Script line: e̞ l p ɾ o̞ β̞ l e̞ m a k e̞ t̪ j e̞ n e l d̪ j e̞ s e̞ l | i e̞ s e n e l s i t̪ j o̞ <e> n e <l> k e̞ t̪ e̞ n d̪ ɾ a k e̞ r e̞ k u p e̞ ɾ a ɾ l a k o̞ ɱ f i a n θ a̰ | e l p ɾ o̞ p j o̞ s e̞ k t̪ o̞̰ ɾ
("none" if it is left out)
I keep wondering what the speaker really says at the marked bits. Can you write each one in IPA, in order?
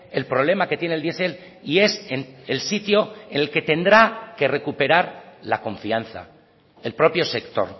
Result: e, l

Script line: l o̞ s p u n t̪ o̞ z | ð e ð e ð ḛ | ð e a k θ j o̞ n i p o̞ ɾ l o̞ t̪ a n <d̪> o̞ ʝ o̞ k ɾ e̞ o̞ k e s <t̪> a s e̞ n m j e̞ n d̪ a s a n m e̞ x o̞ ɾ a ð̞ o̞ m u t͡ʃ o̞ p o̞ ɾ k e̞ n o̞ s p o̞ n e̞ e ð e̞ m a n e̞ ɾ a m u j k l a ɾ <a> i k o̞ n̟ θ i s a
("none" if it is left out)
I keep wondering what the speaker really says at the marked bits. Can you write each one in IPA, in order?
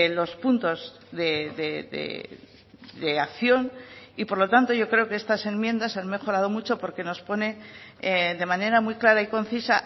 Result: t̪, t̪, a

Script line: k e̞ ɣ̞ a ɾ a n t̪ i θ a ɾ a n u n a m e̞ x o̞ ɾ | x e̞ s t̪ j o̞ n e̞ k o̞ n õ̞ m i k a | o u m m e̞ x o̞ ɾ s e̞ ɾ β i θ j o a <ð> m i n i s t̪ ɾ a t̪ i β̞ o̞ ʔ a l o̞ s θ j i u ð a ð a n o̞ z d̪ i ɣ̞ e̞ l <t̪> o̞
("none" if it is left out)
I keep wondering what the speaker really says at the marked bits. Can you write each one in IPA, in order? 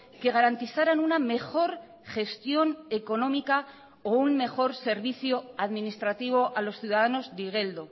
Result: ð, d̪

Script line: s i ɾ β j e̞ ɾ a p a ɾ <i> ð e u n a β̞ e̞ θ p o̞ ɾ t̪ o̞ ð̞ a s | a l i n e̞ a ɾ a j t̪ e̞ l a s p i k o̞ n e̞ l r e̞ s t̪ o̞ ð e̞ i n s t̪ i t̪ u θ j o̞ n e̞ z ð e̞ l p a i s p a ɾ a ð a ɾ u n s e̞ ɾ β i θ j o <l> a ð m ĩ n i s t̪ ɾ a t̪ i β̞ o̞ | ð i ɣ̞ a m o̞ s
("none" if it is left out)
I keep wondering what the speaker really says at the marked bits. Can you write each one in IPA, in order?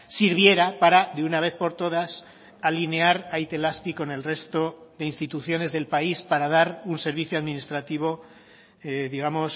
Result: a, none

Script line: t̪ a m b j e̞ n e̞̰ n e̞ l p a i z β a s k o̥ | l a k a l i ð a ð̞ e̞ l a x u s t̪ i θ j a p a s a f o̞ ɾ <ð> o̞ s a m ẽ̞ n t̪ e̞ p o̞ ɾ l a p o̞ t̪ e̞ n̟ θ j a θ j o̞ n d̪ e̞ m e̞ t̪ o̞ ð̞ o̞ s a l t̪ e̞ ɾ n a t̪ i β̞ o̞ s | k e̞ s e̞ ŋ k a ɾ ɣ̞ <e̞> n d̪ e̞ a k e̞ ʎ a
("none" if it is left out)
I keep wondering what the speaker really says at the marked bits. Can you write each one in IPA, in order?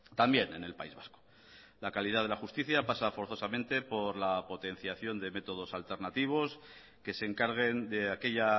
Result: θ, e̞

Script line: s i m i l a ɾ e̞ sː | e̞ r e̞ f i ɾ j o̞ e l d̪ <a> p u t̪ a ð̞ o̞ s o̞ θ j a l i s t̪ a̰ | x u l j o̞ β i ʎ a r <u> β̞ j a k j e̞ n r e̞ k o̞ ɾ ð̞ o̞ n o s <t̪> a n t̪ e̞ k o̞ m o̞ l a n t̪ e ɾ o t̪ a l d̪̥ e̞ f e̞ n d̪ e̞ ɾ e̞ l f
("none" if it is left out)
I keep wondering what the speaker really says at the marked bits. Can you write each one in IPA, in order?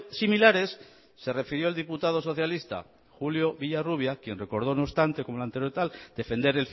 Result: i, u, t̪

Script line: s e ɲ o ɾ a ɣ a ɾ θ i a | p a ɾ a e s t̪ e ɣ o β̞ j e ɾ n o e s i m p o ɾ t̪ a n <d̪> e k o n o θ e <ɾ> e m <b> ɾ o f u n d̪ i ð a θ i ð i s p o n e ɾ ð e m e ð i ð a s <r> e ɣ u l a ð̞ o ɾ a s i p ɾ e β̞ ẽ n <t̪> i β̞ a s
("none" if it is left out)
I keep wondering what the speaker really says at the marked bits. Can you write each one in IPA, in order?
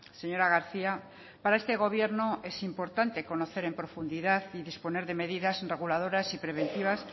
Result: t̪, ɾ, p, r, t̪

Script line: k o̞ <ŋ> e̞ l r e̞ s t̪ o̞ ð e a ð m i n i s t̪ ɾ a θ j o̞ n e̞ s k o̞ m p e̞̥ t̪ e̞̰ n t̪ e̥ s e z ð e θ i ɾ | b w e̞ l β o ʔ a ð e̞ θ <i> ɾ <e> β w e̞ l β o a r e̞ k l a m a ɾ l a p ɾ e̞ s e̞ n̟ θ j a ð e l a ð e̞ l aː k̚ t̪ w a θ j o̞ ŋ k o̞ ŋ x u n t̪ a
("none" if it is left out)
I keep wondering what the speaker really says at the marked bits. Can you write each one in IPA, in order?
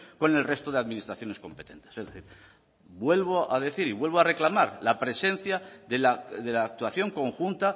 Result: n, i, i

